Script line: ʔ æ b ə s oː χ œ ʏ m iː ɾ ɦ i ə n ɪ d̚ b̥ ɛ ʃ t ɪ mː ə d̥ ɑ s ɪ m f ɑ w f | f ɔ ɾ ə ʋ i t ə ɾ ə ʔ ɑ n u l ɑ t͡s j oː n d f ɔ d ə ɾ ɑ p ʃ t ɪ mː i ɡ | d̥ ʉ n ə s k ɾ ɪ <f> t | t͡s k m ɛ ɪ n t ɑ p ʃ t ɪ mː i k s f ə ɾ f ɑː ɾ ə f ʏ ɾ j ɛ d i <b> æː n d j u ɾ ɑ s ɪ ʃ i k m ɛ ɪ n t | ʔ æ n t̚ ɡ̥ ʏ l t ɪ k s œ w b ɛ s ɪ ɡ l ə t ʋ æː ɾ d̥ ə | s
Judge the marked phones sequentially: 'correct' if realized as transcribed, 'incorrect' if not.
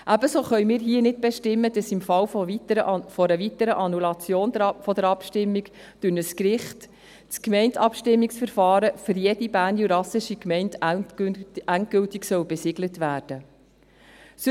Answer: incorrect: χ, correct

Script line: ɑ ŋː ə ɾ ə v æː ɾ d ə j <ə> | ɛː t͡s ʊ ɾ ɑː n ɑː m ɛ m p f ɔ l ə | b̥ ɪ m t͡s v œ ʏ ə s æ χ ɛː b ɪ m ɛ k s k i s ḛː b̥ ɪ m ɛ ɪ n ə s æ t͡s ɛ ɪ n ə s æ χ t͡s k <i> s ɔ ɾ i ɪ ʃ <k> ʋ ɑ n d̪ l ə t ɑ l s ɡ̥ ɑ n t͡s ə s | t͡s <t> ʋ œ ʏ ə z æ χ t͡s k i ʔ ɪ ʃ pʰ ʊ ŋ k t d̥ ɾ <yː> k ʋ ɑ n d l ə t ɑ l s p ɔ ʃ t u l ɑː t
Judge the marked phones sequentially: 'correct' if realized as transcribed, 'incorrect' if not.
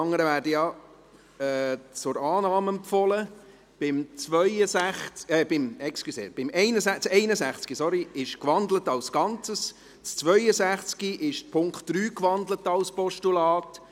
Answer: incorrect: ɑ, correct, correct, incorrect: t͡s, correct

